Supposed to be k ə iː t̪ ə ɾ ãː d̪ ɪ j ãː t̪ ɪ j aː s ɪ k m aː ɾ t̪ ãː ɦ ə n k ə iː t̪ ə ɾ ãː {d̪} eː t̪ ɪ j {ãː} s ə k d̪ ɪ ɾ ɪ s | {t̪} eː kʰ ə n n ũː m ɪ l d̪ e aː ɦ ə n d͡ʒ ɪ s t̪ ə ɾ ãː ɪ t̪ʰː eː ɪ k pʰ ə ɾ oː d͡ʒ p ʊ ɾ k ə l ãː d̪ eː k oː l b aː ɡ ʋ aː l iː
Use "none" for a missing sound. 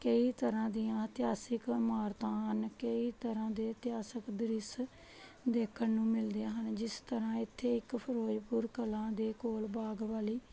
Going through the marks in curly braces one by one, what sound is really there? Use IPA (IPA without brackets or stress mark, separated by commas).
d̪, aː, d̪